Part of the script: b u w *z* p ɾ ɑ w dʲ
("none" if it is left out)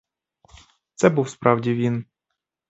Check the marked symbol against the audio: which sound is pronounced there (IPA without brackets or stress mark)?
s